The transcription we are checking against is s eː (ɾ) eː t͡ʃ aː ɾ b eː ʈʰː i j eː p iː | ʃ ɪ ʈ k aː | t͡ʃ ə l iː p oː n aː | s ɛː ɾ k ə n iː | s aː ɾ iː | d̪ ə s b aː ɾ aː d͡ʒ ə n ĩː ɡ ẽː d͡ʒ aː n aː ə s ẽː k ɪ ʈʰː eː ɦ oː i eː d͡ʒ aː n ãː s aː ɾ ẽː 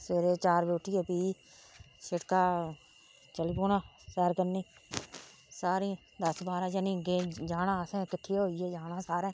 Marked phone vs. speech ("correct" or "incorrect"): correct